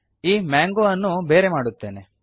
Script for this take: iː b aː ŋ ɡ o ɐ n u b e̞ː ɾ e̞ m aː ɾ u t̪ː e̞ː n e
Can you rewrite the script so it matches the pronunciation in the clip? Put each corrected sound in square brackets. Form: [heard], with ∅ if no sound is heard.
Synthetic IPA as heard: iː [m] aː ŋ ɡ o ɐ [nː] u b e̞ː ɾ e̞ m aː [ɽ] u t̪ː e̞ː n e